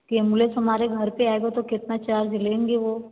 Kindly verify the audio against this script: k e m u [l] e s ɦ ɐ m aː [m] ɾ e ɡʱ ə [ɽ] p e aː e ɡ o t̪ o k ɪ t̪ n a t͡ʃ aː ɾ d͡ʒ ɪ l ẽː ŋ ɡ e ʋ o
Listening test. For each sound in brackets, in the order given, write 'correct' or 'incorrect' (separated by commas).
correct, incorrect, incorrect